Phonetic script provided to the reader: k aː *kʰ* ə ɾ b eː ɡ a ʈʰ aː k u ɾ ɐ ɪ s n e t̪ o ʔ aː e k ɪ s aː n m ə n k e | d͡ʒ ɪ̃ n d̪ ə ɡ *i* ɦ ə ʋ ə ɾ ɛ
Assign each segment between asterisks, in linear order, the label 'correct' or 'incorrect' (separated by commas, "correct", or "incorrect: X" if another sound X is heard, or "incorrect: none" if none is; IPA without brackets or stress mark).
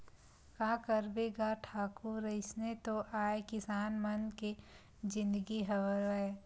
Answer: incorrect: k, correct